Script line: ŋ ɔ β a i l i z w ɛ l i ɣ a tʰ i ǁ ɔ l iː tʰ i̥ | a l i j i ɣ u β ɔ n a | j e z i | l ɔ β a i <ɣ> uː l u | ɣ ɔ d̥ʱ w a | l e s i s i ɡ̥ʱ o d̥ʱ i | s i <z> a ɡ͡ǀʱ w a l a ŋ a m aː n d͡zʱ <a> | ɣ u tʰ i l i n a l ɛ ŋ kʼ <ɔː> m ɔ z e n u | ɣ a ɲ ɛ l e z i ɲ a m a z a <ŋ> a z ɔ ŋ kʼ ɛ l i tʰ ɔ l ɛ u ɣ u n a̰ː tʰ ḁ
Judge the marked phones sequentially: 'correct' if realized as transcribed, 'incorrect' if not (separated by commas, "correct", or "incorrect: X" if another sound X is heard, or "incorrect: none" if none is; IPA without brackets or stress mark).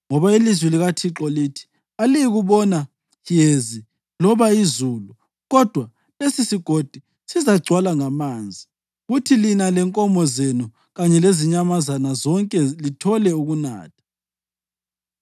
incorrect: z, correct, incorrect: i, incorrect: ɔ, incorrect: n